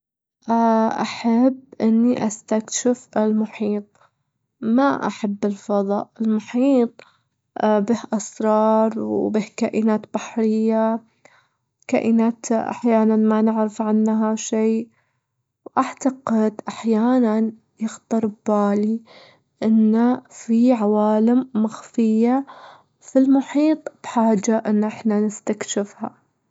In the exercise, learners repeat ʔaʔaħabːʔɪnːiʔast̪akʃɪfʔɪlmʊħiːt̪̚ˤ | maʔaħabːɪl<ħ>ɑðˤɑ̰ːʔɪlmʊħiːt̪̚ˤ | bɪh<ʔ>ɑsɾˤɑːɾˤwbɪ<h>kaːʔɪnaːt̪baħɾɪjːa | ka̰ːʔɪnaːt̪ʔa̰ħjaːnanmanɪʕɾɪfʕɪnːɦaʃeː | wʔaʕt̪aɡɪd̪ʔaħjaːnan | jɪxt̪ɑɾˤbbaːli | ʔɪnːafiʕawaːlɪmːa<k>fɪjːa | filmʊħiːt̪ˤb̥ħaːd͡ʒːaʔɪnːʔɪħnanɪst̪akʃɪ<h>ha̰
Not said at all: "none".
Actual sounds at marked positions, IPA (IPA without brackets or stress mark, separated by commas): f, ʔ, h, x, f